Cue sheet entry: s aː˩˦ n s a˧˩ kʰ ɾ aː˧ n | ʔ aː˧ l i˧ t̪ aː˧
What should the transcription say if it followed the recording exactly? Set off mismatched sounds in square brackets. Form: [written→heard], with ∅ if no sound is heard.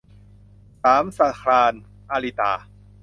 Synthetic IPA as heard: s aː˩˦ [n→m] s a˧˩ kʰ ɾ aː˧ n | ʔ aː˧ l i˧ t̪ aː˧